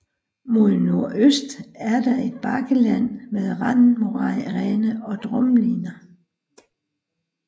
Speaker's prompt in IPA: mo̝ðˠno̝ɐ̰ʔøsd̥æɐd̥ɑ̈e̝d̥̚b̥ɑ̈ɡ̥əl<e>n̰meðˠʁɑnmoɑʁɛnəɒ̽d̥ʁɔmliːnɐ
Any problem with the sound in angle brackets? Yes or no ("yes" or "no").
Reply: yes